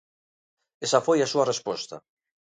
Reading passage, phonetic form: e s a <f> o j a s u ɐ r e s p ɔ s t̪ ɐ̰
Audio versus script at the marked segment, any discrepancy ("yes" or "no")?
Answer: no